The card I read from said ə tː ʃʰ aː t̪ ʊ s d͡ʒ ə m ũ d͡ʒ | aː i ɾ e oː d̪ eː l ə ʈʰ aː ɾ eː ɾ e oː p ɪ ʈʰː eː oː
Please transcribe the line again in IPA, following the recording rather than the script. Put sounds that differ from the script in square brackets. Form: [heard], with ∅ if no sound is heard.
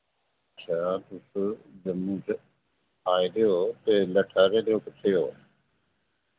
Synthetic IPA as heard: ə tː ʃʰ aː t̪ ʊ s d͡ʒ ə m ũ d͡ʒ | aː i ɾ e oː [t̪] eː l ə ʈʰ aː ɾ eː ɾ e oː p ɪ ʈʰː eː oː